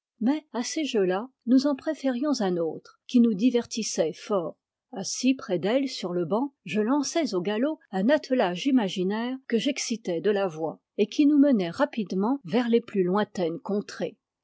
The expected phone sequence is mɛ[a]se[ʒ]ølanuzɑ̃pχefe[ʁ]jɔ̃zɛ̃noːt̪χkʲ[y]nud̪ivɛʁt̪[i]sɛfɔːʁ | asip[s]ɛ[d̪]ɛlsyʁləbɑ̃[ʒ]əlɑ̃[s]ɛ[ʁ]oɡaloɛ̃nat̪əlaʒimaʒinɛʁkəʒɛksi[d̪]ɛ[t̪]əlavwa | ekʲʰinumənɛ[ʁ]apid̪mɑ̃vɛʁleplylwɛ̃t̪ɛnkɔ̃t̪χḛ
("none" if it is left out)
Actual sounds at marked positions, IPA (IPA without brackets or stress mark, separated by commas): a, ʒ, ʁ, i, i, χ, d̪, ʒ, s, z, t̪, d̪, ʁ